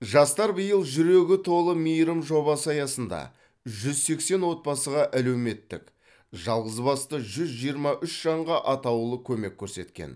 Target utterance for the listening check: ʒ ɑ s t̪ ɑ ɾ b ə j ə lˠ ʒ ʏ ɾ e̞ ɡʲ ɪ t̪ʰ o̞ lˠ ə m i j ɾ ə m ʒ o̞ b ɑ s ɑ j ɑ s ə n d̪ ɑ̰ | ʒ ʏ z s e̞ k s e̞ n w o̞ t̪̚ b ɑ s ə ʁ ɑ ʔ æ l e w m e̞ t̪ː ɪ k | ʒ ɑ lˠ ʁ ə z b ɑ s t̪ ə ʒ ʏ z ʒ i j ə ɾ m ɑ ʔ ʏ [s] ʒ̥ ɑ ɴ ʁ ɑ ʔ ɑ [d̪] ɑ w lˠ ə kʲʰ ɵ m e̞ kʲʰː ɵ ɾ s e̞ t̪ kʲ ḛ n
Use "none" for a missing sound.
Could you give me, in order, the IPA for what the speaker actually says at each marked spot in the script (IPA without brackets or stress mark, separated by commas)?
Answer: ʃ, t̪